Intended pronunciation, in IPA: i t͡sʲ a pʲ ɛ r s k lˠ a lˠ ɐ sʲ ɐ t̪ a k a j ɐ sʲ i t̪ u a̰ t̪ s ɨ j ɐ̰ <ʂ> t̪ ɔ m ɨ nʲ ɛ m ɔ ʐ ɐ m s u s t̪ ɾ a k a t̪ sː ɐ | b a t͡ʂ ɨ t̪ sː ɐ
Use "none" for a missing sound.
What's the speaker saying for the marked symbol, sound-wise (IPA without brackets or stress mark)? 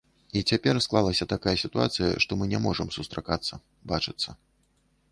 ʂ